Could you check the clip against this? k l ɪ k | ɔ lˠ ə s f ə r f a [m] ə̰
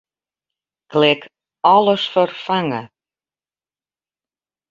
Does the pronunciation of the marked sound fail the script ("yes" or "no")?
yes